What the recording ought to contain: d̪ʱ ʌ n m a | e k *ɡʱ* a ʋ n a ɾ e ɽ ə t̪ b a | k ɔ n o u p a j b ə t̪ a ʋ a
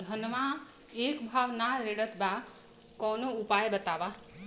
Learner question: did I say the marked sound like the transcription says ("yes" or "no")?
no